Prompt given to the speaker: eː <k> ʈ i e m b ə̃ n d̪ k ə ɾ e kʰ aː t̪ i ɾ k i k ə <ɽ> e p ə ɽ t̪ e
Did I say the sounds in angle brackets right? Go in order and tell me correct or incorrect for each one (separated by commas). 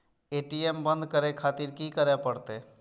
incorrect, incorrect